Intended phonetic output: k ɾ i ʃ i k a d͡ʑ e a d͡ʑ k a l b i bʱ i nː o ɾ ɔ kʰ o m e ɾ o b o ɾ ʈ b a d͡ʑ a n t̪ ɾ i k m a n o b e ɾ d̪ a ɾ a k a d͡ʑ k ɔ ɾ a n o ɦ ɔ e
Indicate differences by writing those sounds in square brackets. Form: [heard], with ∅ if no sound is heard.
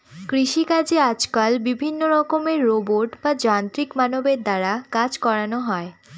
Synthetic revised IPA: k ɾ i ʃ i k a d͡ʑ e a d͡ʑ k a l b i bʱ i nː o ɾ ɔ [k] o m e [ɾː] o b o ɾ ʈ b a d͡ʑ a n t̪ ɾ i k m a n o b e ɾ d̪ a ɾ a k a d͡ʑ k ɔ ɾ a n o ɦ ɔ e

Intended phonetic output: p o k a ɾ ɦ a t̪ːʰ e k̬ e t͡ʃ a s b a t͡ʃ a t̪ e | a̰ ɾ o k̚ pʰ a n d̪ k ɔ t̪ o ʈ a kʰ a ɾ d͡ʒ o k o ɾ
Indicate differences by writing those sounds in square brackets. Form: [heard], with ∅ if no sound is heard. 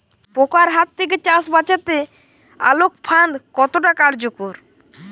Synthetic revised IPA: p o k a ɾ ɦ a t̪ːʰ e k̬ e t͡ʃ a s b a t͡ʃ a t̪ e | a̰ [l] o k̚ pʰ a n d̪ k ɔ t̪ o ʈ a [k] a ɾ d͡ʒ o k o ɾ

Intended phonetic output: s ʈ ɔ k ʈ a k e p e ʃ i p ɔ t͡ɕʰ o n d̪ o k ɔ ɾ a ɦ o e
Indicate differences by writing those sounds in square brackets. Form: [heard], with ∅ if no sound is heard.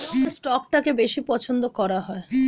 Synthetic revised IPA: s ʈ ɔ k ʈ a k e [b] e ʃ i p ɔ t͡ɕʰ o n d̪ o k ɔ ɾ a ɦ [ɔ] e

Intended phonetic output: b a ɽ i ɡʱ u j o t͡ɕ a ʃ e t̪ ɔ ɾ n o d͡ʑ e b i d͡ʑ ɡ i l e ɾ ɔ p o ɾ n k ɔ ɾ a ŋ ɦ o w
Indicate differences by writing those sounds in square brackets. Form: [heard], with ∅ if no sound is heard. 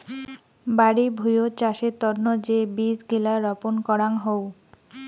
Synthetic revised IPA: b a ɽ i [bʱ] u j o t͡ɕ a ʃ e t̪ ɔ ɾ n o d͡ʑ e b i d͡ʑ ɡ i l [a] ɾ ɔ p o [∅] n k ɔ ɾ a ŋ ɦ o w

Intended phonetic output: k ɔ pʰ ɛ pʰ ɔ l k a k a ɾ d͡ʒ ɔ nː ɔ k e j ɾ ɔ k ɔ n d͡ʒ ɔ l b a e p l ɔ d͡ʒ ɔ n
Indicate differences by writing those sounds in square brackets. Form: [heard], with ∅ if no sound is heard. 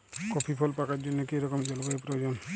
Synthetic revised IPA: k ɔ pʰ [i] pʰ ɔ l [p] a k a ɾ d͡ʒ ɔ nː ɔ k e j ɾ ɔ k ɔ [m] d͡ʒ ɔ l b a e p [ɾ] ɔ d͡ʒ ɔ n

